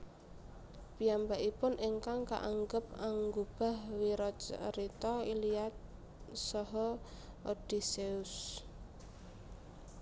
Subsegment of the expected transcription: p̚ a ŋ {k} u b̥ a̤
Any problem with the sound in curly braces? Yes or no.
yes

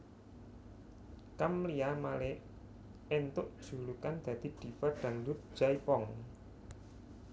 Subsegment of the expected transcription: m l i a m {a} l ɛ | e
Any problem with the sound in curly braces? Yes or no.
no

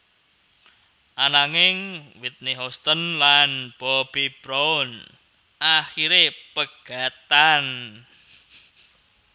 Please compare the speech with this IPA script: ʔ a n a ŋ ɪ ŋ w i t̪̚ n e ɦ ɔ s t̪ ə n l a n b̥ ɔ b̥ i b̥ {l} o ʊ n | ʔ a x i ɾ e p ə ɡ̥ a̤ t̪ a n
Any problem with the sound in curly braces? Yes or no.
yes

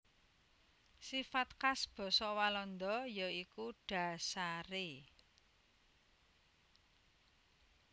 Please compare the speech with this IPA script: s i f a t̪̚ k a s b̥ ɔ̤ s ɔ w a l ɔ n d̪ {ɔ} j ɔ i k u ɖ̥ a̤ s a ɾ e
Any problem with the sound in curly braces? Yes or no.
no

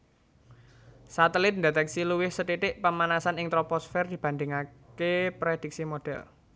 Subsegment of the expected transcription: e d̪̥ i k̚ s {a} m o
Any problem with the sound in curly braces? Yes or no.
yes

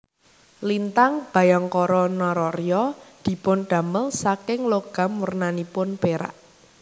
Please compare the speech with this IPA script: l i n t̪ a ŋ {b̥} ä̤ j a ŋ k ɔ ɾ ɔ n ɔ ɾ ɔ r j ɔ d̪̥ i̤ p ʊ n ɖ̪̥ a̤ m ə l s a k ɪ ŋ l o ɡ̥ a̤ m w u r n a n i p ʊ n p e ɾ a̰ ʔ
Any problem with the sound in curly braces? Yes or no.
no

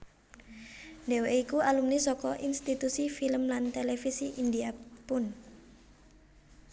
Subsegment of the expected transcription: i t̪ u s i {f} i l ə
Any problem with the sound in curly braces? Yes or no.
no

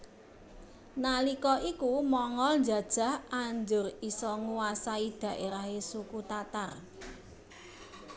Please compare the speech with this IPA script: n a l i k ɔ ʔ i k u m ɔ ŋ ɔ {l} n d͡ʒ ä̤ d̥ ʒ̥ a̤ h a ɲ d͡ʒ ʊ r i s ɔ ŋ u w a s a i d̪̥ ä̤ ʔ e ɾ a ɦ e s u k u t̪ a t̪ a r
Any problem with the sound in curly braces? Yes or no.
no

